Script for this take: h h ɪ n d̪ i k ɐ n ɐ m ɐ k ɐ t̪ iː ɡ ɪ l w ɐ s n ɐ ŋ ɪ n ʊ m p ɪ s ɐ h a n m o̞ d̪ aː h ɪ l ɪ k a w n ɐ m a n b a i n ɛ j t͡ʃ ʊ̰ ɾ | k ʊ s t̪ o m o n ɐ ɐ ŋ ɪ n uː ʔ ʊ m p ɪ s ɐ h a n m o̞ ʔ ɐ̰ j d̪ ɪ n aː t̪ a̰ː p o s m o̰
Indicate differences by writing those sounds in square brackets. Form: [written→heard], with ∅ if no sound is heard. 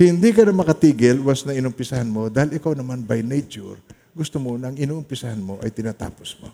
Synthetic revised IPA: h h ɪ n d̪ i k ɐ n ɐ m ɐ k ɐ t̪ iː ɡ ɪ l w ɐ s n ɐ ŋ ɪ n ʊ m p ɪ s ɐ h a n m o̞ d̪ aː h ɪ l ɪ k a w n ɐ m a n b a [i→j] n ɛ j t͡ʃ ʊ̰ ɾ | [k→ɡ] ʊ s t̪ o m o n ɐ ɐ ŋ ɪ n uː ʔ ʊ m p ɪ s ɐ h a n m o̞ ʔ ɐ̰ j [d̪→t̪] ɪ n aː t̪ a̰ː p o s m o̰